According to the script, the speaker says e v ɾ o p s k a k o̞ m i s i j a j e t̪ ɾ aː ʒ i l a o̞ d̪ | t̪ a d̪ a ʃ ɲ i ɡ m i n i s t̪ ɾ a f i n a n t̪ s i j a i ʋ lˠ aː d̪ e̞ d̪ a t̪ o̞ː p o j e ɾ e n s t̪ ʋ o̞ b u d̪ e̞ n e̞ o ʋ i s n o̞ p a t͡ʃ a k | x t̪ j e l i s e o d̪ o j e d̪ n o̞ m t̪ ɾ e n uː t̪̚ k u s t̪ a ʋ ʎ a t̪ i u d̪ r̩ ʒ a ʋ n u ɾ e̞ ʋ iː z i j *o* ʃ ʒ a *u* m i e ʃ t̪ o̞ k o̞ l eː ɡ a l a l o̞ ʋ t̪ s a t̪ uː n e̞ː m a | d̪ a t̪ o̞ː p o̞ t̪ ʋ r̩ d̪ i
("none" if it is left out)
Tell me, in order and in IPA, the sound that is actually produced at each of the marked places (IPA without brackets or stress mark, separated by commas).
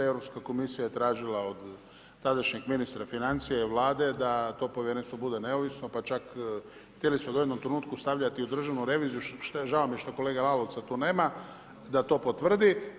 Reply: u, o